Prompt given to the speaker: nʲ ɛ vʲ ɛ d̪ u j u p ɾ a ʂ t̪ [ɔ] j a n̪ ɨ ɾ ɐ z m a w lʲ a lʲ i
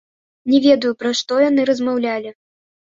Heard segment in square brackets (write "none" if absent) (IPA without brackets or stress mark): ɔ